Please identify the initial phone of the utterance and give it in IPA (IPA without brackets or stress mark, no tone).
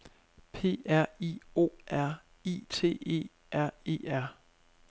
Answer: pʰ